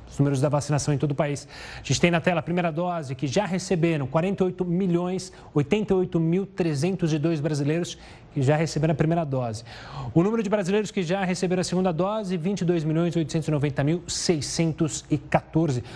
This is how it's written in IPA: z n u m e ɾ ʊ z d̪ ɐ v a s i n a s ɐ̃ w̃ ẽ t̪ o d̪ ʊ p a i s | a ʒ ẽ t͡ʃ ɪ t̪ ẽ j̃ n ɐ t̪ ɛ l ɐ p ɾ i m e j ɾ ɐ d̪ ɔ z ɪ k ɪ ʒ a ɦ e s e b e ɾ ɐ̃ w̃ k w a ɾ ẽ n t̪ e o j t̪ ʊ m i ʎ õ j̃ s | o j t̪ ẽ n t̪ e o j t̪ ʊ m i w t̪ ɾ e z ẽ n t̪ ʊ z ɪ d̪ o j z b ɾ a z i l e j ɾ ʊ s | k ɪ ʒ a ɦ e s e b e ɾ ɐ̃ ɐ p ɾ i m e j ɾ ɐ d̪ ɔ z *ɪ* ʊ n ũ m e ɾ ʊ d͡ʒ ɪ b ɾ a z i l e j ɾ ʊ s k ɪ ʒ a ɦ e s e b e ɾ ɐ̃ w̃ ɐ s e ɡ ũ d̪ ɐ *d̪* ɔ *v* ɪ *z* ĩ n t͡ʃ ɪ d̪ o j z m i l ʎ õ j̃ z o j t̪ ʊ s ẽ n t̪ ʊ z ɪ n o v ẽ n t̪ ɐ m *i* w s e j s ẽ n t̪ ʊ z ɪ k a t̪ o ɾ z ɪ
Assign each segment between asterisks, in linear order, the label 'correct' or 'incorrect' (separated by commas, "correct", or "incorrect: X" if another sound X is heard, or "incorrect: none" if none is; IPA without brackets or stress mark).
correct, correct, incorrect: z, incorrect: v, correct